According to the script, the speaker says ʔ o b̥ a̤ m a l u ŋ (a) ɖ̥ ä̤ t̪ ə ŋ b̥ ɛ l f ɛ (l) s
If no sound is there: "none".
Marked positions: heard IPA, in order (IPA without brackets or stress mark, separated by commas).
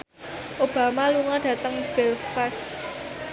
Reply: a, none